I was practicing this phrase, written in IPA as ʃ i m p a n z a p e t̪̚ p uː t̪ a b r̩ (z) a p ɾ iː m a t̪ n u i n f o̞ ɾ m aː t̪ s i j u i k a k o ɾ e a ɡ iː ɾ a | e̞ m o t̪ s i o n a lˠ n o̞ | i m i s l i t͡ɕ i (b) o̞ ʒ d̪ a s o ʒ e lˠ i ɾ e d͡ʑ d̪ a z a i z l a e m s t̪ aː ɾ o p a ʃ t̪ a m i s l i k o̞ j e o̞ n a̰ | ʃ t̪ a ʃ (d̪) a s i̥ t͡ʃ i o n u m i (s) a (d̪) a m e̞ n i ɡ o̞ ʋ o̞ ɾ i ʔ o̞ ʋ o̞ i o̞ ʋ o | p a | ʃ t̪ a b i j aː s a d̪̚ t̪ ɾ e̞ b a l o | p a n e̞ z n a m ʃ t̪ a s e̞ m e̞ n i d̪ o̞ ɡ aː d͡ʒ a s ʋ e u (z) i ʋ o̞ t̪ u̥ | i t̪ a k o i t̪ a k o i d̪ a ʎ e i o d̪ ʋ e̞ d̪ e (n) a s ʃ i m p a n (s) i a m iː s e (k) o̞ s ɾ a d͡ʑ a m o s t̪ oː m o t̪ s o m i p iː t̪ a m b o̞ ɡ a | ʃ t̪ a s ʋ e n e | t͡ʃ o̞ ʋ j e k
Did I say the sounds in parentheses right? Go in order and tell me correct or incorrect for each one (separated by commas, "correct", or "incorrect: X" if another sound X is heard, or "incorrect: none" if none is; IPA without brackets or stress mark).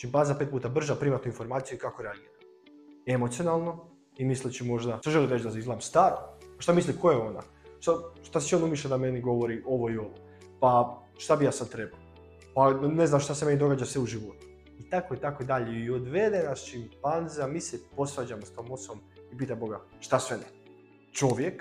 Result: incorrect: ʒ, incorrect: m, incorrect: t̪, incorrect: ʃ, correct, incorrect: ʒ, correct, incorrect: z, incorrect: p